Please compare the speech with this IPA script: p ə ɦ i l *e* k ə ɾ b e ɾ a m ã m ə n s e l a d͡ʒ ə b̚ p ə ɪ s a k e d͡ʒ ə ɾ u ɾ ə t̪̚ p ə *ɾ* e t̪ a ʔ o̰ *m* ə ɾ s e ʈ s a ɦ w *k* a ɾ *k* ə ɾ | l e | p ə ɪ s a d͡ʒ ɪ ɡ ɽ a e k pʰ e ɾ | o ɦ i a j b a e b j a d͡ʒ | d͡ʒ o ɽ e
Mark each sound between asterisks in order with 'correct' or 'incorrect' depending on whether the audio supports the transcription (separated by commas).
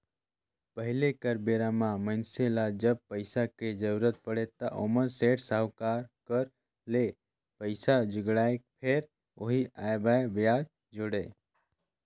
correct, incorrect, correct, correct, correct